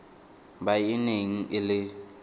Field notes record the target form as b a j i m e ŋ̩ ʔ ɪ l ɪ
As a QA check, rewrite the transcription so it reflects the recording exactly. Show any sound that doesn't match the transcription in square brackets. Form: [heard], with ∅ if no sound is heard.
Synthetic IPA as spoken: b a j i [n] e ŋ̩ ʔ ɪ l ɪ